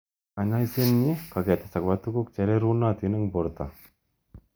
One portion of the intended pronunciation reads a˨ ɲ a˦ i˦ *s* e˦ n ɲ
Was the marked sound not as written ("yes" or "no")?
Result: no